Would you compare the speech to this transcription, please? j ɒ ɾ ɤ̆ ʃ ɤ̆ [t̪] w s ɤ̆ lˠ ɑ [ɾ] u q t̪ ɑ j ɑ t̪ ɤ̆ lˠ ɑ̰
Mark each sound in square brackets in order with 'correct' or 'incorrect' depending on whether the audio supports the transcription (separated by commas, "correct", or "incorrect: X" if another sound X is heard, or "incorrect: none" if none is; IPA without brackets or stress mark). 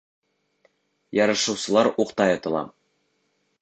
incorrect: none, correct